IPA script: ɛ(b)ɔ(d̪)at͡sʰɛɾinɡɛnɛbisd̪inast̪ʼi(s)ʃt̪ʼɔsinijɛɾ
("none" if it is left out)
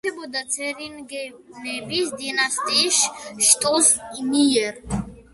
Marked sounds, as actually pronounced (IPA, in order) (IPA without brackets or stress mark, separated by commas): b, d̪, ʃ